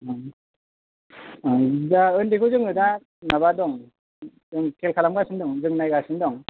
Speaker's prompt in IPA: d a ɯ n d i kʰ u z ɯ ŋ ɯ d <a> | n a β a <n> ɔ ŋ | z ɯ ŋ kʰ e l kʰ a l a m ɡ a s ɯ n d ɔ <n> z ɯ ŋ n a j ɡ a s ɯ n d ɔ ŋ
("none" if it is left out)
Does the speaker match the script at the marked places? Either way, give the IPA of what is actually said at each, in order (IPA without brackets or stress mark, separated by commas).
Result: a, d, ŋ